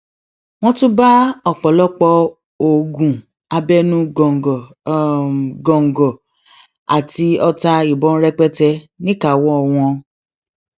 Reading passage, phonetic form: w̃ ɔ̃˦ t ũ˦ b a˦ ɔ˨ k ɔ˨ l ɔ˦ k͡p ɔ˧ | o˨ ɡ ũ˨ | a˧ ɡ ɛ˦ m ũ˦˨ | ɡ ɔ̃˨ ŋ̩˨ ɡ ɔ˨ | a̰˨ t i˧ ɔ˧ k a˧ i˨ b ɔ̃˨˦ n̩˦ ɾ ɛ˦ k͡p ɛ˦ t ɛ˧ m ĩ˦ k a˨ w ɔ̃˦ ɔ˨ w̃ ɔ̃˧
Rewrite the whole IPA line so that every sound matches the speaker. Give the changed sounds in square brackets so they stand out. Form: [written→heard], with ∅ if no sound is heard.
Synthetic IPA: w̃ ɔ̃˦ t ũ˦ b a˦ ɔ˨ [k→k͡p] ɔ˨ l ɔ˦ k͡p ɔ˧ | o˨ ɡ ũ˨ | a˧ [ɡ→b] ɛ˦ [m→n] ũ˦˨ | ɡ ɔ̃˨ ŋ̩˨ ɡ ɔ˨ | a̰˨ t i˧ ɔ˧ [k→t] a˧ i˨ b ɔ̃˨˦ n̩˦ ɾ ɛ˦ k͡p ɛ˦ t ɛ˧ [m→n] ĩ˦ k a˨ w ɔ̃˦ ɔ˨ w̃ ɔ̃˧